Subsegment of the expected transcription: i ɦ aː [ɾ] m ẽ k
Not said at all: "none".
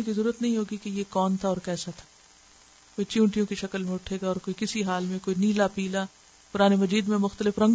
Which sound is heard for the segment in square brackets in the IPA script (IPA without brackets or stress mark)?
l